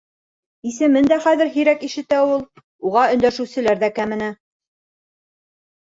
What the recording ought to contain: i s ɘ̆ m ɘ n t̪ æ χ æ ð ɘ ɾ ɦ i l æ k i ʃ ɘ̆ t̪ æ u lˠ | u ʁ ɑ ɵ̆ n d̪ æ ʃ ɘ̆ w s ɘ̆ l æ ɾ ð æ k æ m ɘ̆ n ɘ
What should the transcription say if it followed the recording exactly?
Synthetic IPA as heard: i s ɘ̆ m ɘ n d̪ æ χ æ ð ɘ ɾ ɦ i ɾ æ k i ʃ ɘ̆ t̪ æ u lˠ | u ʁ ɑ ɵ̆ n d̪ æ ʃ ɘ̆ w s ɘ̆ l æ ɾ ð æ k æ m ɘ̆ n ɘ